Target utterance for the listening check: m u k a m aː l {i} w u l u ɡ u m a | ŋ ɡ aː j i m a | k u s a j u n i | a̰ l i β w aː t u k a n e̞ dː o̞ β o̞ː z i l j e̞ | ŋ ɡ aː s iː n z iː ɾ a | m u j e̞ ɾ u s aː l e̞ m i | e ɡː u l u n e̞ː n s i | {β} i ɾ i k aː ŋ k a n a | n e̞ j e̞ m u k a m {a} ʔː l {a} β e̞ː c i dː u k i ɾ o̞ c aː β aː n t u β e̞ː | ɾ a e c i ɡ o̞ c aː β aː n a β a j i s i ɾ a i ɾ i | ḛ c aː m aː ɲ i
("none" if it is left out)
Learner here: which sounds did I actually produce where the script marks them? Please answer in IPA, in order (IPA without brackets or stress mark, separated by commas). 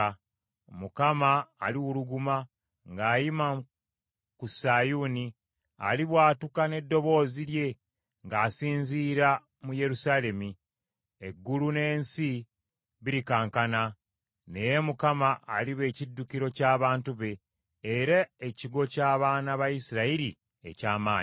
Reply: i, β, a, i